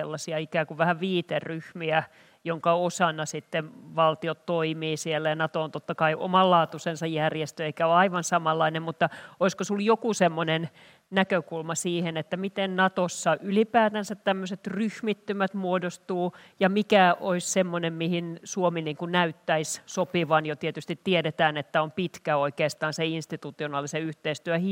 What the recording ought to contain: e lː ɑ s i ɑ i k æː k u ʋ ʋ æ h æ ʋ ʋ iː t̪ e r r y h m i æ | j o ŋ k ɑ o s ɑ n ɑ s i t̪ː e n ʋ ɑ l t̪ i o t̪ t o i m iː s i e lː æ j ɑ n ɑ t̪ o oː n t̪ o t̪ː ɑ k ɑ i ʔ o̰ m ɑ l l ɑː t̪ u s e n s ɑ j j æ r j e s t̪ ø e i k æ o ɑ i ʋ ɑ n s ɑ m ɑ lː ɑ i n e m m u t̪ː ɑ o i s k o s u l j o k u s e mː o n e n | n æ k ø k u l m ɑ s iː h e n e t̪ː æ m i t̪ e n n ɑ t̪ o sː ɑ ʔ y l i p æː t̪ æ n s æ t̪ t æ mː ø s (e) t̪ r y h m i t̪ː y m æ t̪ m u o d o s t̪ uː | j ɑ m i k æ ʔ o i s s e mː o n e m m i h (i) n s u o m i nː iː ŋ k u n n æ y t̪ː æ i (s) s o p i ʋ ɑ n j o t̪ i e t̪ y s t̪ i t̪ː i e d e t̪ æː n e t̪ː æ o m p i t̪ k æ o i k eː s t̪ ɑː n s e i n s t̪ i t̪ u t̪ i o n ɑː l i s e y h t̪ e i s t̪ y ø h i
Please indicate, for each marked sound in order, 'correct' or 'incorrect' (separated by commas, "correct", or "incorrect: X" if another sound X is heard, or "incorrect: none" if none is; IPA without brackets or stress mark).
correct, correct, correct